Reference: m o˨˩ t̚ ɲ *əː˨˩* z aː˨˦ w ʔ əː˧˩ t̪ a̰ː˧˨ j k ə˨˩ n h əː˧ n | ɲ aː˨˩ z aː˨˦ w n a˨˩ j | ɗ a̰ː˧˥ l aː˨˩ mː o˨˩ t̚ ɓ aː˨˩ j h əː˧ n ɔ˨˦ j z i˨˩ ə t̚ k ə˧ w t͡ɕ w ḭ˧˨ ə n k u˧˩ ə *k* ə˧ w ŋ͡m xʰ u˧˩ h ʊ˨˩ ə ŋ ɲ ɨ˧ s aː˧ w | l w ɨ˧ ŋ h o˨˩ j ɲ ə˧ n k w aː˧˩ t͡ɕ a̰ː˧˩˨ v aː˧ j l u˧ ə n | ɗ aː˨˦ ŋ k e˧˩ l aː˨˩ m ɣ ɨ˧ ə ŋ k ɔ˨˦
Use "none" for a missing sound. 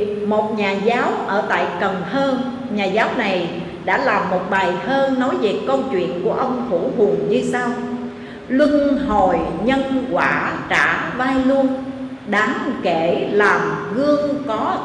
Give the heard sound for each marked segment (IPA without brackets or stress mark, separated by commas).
aː˨˩, ʔ